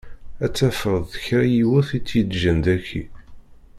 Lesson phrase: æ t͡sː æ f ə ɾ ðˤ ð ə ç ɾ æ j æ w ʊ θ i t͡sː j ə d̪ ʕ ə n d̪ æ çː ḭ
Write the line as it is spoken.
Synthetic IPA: æ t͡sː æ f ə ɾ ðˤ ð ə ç ɾ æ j i w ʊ θ i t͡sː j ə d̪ ʒ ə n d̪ æ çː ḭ